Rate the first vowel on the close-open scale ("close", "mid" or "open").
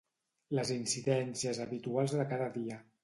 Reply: mid